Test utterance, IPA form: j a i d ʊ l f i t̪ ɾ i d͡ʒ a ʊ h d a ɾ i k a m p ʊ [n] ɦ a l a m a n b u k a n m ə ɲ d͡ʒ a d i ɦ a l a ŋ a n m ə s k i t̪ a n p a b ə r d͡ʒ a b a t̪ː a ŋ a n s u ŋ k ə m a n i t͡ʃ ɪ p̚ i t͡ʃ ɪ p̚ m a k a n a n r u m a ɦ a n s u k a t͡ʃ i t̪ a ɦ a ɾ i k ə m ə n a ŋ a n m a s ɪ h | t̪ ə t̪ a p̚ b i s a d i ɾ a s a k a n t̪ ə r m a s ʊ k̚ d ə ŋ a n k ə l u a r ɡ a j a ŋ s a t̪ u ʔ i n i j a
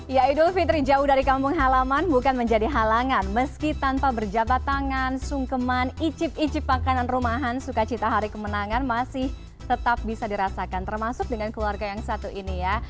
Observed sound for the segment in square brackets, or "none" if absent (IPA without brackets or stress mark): ŋ